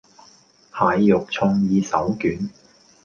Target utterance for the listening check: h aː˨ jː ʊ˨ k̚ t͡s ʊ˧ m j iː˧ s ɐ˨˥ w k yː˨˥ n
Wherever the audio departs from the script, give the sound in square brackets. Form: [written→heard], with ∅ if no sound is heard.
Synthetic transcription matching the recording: h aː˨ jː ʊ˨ k̚ [t͡s→t͡sʰ] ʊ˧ [m→ŋ] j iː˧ s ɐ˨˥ w k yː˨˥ n